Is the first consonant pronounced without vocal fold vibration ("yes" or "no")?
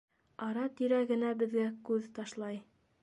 no